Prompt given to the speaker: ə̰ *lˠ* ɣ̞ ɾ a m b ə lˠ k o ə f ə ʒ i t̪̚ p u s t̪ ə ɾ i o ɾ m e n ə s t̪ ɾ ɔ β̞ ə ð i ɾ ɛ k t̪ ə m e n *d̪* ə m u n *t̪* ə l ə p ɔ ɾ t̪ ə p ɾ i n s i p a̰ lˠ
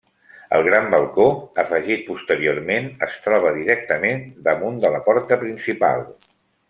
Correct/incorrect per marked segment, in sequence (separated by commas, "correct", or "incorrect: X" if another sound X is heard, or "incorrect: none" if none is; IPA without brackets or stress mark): correct, correct, incorrect: d̪